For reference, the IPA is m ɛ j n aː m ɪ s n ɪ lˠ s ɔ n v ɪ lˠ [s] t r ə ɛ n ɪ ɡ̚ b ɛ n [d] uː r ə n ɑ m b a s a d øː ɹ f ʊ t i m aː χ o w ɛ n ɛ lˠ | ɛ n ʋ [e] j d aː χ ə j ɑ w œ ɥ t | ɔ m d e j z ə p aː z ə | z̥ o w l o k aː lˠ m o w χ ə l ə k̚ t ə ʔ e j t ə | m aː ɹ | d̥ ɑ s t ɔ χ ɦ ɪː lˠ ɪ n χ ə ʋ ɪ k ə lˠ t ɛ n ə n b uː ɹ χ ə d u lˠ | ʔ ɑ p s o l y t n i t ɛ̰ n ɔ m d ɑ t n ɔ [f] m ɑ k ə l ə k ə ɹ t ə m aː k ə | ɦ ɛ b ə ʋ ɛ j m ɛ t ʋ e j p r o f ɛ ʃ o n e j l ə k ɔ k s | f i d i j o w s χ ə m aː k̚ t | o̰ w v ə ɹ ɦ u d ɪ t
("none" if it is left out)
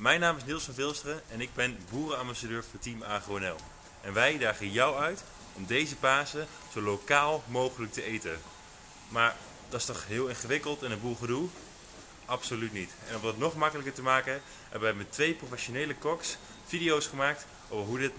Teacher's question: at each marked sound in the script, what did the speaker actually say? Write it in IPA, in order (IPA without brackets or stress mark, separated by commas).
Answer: s, b, ɛ, χ